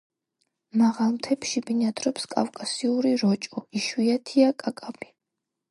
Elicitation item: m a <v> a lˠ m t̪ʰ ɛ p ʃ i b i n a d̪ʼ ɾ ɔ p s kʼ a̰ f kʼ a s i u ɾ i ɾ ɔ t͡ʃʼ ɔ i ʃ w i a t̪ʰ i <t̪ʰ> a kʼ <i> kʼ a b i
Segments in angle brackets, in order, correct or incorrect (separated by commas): incorrect, incorrect, incorrect